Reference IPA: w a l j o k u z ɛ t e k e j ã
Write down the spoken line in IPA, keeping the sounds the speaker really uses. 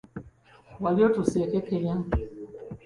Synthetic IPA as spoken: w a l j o t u s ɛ k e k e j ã